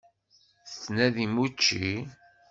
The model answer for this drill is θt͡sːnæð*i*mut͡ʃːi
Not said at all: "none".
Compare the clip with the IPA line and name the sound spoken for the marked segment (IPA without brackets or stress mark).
i